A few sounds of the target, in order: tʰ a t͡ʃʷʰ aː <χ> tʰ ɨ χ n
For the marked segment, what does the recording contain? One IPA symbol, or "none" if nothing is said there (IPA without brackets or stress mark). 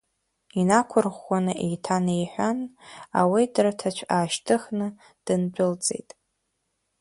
ʃ